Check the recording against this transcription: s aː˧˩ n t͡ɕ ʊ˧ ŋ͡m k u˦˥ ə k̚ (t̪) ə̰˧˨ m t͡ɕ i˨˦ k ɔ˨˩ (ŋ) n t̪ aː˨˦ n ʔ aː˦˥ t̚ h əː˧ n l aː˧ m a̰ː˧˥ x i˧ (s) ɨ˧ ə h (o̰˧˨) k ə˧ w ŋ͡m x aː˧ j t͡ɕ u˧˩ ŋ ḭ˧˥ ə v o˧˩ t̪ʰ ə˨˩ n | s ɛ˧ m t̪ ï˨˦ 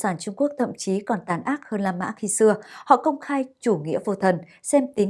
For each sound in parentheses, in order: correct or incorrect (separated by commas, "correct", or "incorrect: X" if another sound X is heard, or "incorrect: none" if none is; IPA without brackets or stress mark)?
incorrect: t̪ʰ, incorrect: none, correct, incorrect: ɔ̰˧˨